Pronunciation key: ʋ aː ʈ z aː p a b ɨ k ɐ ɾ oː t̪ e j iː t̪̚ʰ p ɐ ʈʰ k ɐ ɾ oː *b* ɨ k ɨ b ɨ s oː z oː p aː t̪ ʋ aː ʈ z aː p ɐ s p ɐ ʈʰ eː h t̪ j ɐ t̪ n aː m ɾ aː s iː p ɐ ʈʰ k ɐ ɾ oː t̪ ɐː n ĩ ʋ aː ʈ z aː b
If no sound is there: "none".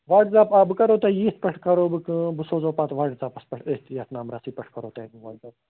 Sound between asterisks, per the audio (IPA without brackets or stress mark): b